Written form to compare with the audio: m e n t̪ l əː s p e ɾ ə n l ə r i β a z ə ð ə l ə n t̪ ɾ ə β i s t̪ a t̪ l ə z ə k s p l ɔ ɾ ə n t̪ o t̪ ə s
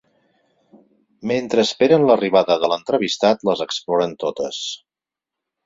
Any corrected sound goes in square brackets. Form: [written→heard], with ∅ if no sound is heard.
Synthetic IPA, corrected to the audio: m e n t̪ [l→ɾ] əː s p e ɾ ə n l ə r i β a [z→ð] ə ð ə l ə n t̪ ɾ ə β i s t̪ a t̪ l ə z ə k s p l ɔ ɾ ə n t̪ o t̪ ə s